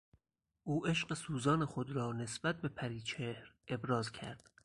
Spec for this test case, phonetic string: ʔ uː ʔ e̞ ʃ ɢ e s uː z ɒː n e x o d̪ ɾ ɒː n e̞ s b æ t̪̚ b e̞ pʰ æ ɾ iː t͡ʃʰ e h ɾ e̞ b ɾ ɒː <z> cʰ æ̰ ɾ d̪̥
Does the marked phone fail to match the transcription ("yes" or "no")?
no